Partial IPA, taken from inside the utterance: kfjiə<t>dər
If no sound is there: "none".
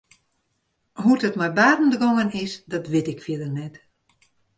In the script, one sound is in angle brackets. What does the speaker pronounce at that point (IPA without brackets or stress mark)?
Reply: none